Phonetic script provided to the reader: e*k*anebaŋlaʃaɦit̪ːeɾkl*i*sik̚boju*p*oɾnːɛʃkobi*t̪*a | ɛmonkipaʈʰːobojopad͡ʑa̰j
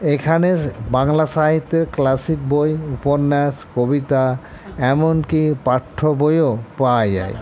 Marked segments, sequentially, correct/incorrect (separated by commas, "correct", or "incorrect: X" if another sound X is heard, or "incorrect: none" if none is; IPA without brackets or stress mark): incorrect: kʰ, incorrect: a, correct, correct